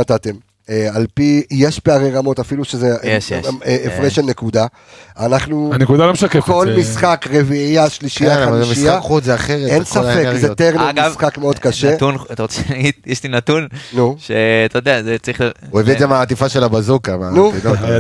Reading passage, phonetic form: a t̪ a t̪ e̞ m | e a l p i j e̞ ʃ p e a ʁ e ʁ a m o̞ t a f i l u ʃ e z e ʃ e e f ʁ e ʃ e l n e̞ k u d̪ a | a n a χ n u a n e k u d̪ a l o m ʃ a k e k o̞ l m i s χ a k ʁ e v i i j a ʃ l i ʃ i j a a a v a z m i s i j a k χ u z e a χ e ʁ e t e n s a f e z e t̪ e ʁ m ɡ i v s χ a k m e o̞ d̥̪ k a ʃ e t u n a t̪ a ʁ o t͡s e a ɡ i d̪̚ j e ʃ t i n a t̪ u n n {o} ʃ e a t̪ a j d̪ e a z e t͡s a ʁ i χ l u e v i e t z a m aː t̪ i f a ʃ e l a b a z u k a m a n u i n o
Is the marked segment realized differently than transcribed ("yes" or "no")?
yes